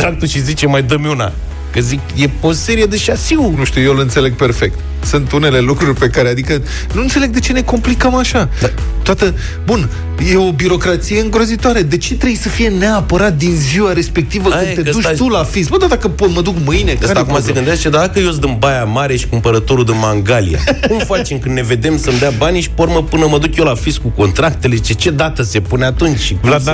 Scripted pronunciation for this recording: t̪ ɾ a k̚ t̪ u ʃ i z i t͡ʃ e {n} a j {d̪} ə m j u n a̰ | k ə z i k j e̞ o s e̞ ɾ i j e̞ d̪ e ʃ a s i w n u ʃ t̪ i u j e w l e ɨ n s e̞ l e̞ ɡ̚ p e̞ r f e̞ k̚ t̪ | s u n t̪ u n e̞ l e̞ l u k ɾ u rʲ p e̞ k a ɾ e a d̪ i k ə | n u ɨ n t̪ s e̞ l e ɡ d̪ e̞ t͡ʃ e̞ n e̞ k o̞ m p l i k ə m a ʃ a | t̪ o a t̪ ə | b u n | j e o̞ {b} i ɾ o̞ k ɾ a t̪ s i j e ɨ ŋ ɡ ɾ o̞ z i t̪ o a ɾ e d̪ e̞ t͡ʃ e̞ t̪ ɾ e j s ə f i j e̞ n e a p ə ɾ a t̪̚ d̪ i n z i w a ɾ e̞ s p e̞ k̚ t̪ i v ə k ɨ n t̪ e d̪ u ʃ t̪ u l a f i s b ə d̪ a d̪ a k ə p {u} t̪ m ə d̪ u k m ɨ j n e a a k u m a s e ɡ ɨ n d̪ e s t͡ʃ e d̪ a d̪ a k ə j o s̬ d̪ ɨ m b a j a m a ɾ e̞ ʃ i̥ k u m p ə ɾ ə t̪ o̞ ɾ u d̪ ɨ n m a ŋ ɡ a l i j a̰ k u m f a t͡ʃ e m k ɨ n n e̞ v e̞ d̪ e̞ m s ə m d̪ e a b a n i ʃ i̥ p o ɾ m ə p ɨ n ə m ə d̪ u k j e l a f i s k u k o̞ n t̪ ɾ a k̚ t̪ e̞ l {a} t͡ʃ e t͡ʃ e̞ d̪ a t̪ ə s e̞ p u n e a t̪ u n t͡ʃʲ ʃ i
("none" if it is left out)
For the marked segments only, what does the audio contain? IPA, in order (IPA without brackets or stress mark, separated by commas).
m, d̪, b, o, e